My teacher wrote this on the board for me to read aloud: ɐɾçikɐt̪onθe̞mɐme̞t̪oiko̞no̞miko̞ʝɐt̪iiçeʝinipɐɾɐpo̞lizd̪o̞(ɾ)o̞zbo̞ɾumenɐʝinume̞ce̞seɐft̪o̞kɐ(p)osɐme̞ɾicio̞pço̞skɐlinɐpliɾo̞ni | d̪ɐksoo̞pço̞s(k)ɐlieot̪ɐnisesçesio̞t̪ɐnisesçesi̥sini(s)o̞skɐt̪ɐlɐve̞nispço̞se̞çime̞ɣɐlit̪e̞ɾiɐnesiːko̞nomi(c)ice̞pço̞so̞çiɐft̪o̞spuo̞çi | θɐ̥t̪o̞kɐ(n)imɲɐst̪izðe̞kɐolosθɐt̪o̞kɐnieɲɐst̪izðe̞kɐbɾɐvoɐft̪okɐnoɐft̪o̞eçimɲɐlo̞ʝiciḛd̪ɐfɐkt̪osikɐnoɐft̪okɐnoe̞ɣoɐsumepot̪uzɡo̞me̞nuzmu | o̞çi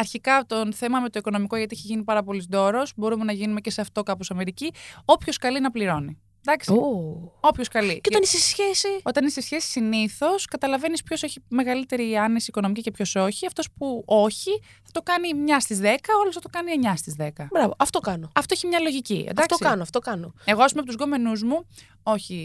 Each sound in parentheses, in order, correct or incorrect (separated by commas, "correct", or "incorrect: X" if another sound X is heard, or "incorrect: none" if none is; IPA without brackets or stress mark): correct, correct, correct, incorrect: θ, correct, correct